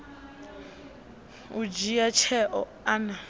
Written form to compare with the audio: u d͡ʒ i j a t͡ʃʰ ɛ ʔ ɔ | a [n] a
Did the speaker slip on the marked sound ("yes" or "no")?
no